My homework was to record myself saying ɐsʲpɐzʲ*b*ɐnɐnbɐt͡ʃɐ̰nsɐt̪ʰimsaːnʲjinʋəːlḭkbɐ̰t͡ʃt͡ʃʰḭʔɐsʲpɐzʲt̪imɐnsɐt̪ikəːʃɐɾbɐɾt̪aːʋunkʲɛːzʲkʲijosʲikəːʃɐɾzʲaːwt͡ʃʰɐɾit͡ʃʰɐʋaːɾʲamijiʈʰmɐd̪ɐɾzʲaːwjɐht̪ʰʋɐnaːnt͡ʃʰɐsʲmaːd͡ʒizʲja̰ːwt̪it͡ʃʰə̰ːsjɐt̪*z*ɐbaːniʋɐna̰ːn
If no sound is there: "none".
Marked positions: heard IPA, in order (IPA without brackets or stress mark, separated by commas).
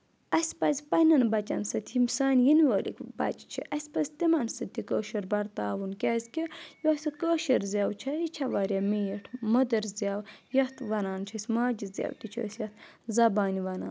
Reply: p, z